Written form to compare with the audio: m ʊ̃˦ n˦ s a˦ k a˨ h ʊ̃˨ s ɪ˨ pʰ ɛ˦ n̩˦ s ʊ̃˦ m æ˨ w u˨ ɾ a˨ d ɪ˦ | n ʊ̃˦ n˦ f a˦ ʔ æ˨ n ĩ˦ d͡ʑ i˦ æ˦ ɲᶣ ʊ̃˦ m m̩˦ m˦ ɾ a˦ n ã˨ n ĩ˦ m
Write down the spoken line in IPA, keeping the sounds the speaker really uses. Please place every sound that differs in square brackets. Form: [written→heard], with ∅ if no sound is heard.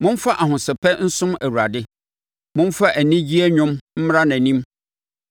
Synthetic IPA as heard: m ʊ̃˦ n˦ [s→f] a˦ [k→ʔ] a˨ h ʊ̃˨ s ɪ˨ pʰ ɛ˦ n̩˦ s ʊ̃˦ m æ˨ w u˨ ɾ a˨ d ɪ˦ | [n→m] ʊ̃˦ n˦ f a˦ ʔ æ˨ n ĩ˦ d͡ʑ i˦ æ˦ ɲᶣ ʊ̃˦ m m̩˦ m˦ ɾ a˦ n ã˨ n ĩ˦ m